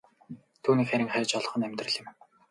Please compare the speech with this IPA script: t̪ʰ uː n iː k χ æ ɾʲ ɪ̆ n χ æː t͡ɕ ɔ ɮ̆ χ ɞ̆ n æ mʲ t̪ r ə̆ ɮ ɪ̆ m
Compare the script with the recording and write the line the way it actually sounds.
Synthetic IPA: t̪ʰ uː n iː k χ æ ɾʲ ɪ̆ ŋ χ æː t͡ɕ ɔ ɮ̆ χ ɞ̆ n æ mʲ t̪ r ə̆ ɮ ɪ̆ m